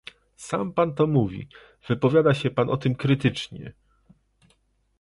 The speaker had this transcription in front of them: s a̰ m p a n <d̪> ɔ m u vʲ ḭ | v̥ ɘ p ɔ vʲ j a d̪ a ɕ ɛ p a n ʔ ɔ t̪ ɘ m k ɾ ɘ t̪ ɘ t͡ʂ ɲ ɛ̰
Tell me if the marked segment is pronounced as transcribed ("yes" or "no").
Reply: no